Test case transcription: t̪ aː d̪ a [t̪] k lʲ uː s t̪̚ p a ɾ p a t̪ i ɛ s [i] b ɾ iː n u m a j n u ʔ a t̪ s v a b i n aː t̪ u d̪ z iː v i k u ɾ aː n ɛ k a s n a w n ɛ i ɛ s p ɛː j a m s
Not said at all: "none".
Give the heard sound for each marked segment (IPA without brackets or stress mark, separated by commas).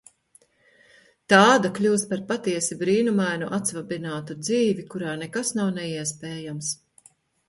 none, i